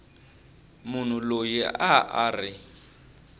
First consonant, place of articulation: labial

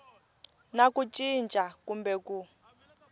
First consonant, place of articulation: alveolar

